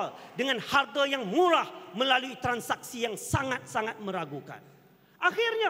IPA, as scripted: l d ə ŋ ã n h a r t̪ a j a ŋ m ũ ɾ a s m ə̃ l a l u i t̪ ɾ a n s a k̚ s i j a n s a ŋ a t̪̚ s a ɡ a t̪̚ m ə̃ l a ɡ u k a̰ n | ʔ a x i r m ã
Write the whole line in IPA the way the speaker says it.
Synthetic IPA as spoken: l d ə ŋ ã n h a r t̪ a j a ŋ m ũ ɾ a h m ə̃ l a l u i t̪ ɾ a n s a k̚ s i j a ŋ s a ŋ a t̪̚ s a ŋ a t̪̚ m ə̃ ɾ a ɡ u k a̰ n | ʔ a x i r ɲ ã